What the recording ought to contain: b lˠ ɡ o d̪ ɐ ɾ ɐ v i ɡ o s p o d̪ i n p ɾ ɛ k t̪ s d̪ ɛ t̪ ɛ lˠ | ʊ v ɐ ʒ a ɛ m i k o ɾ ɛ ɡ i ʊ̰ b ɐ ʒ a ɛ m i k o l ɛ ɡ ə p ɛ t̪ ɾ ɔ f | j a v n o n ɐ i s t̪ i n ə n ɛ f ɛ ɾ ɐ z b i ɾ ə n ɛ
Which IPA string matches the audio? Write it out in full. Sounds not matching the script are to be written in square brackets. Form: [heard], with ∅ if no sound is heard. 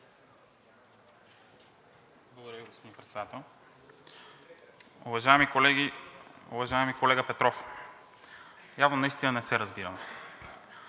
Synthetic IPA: b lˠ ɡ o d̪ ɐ ɾ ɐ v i ɡ o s p o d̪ i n p ɾ ɛ [∅] t̪ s d̪ [a] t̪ ɛ lˠ | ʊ v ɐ ʒ a ɛ m i k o [l] ɛ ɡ i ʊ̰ [v] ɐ ʒ a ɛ m i k o l ɛ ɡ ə p ɛ t̪ ɾ ɔ f | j a v n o n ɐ i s t̪ i n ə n ɛ [s] ɛ ɾ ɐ z b i ɾ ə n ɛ